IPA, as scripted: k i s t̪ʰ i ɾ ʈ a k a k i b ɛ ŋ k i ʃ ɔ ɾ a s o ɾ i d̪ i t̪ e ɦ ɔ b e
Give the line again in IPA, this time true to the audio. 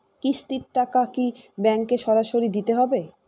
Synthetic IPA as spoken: k i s t̪ i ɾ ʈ a k a k i b ɛ ŋ k e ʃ ɔ ɾ a ʃ o ɾ i d̪ i t̪ e ɦ ɔ b e

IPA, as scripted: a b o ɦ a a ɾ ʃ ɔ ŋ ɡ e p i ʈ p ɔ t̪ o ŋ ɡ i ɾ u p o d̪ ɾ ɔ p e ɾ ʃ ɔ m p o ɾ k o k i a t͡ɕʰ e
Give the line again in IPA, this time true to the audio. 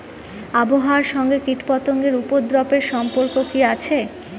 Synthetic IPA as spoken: a b o ɦ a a ɾ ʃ ɔ ŋ ɡ e k i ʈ p ɔ t̪ o ŋ ɡ e ɾ u p o d̪ ɾ ɔ p e ɾ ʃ ɔ m p o ɾ k o k i a t͡ɕʰ e

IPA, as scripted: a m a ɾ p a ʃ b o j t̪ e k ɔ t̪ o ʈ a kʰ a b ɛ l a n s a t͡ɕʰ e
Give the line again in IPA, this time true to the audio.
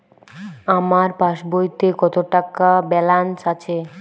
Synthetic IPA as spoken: a m a ɾ p a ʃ b o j t̪ e k ɔ t̪ o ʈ a k a b ɛ l a n s a t͡ɕʰ e

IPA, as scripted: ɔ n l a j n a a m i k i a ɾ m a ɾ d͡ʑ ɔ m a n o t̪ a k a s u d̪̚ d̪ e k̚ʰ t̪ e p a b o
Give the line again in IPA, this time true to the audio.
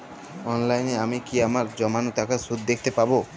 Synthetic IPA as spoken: ɔ n l a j n e a m i k i a m a ɾ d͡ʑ ɔ m a n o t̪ a k a s u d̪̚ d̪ e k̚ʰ t̪ e p a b o

